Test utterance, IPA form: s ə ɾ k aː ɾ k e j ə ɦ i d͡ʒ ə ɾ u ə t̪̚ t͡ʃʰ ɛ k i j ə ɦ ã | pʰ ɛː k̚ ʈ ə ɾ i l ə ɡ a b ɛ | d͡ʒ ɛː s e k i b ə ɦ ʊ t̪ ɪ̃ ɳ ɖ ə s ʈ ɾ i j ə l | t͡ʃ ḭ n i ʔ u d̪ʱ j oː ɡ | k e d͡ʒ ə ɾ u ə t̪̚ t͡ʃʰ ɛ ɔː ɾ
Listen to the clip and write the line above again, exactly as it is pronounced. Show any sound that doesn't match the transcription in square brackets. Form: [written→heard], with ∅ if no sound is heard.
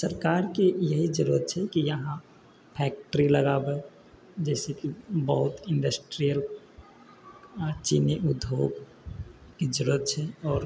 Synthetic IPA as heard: s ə ɾ k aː ɾ k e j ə ɦ i d͡ʒ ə ɾ u ə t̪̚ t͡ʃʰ ɛ k i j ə ɦ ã | pʰ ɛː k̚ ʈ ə ɾ i l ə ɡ a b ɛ | d͡ʒ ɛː s e k i b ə ɦ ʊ t̪ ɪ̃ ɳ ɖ ə s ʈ ɾ i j ə l | t͡ʃ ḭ n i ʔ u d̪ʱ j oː ɡ | k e d͡ʒ ə ɾ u ə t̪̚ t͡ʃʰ ɛ ɔː ɾ